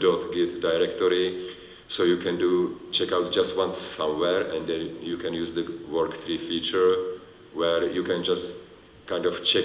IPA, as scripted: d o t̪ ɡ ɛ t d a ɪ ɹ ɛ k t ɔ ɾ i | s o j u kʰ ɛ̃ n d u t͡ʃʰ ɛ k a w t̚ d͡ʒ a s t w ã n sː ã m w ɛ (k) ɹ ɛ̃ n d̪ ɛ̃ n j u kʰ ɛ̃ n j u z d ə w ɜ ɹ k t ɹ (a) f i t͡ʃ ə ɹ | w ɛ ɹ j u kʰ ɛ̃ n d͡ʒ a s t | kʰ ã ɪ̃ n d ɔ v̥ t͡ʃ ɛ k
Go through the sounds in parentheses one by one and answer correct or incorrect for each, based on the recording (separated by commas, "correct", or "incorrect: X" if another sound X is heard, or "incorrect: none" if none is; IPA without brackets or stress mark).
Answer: incorrect: none, incorrect: i